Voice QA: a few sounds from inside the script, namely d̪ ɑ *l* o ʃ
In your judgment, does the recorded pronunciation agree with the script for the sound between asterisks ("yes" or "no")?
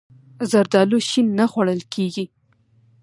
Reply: yes